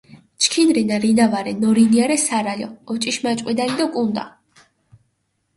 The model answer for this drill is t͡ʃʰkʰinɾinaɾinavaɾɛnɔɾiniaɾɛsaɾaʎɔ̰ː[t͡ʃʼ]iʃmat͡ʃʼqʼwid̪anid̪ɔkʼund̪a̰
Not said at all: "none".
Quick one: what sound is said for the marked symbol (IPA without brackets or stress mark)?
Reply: t͡ʃʼ